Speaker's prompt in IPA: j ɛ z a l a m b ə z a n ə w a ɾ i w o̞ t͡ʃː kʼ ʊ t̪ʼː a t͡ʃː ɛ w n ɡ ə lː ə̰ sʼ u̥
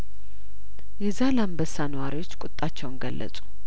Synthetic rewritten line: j ɛ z a l a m b ə s a n ə w a ɾ i w o̞ t͡ʃː kʼ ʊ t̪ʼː a t͡ʃː ɛ w n ɡ ə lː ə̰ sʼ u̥